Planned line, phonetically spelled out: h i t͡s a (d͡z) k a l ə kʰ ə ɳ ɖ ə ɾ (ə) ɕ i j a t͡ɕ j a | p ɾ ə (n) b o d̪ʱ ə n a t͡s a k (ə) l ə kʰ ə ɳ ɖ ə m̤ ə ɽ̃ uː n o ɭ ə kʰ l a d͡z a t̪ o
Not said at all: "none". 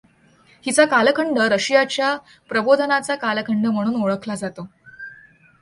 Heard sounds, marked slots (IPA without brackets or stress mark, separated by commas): none, ə, none, a